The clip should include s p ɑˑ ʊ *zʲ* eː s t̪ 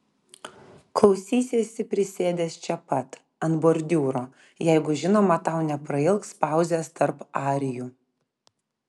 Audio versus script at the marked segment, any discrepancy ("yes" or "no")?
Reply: no